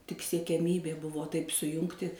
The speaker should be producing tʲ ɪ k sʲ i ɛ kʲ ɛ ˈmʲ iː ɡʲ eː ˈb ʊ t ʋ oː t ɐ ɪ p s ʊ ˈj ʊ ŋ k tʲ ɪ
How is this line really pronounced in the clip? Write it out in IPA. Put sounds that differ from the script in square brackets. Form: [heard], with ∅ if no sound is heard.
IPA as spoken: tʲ ɪ k sʲ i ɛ kʲ ɛ ˈmʲ iː [bʲ] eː ˈb ʊ [∅] ʋ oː t ɐ ɪ p s ʊ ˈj ʊ ŋ k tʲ ɪ